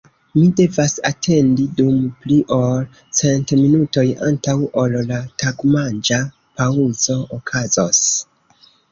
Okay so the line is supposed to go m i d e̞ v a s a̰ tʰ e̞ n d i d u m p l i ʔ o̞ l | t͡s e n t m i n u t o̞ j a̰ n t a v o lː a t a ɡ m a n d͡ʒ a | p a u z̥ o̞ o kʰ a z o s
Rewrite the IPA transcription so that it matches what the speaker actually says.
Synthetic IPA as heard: m i d e̞ v a s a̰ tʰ e̞ n d i d u m p l i ʔ o̞ l | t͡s e n t m i n u t o̞ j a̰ n t a w o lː a t a ɡ m a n d͡ʒ a | p a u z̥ o̞ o kʰ a z o s